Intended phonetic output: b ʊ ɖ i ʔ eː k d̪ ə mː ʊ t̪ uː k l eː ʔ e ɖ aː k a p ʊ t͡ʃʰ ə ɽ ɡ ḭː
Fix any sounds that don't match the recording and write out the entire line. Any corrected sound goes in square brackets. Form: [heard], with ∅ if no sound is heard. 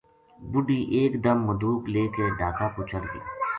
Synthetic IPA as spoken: b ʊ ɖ i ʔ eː k d̪ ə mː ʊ [d̪] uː k l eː [k] e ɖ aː k a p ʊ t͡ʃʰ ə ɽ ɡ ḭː